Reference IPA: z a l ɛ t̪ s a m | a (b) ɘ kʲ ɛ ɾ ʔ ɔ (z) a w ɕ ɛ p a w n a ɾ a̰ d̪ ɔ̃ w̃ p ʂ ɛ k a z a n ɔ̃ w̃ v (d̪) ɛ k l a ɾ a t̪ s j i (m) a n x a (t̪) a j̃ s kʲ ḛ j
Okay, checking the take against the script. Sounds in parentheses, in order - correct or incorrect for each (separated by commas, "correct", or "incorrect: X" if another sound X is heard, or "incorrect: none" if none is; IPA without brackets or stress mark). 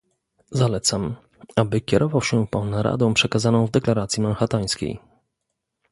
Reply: correct, incorrect: v, correct, correct, correct